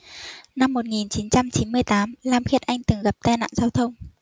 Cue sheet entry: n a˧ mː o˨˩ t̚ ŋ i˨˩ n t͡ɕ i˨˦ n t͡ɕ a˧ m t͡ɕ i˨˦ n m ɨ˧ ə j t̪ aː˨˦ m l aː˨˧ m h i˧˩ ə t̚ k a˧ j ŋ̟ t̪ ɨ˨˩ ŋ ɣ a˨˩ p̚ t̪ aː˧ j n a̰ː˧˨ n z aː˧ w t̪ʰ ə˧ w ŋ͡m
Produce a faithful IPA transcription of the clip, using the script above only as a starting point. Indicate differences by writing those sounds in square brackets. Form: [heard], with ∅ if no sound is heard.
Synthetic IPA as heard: n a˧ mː o˨˩ t̚ ŋ i˨˩ n t͡ɕ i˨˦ n t͡ɕ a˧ m t͡ɕ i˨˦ n m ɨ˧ ə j t̪ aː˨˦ m l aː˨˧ m [x] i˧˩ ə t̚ [ʔ] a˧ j ŋ̟ t̪ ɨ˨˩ ŋ ɣ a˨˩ p̚ t̪ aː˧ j n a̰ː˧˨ n z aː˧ w t̪ʰ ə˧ w ŋ͡m